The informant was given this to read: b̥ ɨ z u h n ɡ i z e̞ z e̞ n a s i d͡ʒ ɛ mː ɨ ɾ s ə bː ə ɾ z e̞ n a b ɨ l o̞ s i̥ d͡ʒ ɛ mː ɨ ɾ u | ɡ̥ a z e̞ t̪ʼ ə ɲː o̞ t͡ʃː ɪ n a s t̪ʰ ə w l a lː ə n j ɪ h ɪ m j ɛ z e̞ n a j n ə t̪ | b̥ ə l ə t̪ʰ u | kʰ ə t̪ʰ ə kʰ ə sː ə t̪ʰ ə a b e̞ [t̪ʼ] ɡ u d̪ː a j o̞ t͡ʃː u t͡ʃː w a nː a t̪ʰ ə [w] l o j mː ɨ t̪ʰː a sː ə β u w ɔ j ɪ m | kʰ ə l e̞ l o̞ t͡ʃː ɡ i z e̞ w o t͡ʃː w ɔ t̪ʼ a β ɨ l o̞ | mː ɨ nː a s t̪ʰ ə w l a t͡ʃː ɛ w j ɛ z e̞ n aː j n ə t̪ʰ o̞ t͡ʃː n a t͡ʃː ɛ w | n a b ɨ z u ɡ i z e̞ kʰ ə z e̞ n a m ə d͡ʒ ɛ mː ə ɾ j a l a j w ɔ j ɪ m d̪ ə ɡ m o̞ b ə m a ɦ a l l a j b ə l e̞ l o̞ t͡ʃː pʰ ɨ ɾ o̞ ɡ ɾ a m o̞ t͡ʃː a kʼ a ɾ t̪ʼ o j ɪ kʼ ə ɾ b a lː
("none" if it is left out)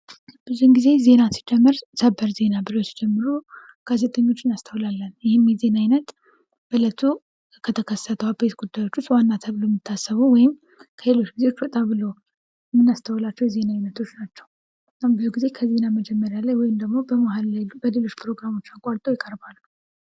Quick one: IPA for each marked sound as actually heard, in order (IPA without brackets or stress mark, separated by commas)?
t̪, β